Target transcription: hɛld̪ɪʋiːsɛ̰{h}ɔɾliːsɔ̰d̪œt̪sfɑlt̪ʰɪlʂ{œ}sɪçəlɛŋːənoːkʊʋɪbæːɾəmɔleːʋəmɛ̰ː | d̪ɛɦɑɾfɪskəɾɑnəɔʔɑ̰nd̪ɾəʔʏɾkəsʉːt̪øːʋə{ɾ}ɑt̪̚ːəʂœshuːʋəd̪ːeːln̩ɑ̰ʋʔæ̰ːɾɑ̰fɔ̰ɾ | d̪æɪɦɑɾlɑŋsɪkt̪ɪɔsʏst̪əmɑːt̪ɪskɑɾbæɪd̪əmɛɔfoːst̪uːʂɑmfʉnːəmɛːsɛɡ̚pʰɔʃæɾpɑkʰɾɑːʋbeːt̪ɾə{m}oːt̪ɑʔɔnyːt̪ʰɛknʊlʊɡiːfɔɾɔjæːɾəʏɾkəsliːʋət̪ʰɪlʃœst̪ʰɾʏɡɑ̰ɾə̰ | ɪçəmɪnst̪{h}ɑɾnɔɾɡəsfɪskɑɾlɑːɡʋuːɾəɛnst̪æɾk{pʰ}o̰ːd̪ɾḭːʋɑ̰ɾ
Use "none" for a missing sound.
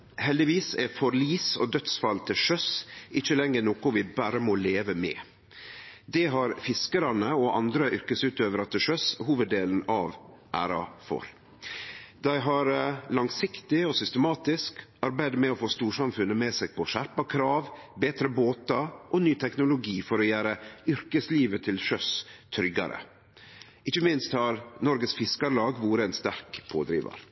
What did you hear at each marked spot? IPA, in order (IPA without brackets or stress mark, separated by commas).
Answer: f, œ, ɾ, b, h, pʰ